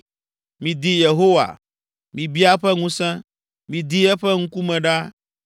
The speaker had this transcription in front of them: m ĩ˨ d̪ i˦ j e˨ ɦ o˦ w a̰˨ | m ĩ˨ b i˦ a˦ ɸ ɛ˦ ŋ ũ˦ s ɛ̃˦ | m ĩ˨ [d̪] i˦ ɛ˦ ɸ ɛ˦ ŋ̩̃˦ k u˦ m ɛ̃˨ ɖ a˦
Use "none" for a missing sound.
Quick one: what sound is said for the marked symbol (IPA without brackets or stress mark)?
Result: d̪